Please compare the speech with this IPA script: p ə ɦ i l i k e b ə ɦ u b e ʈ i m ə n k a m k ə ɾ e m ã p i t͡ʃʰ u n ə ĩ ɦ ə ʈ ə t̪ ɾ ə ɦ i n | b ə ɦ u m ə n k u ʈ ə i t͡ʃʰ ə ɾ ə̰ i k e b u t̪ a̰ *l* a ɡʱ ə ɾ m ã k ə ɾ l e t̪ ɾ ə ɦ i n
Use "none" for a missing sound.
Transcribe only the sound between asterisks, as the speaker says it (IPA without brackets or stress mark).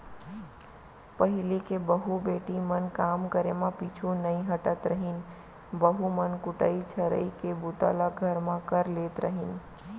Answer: l